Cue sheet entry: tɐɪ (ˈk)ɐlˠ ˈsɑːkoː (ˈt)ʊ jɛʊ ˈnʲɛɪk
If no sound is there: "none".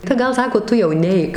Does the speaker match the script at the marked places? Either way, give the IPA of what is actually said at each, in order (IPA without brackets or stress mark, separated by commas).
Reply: ɡ, t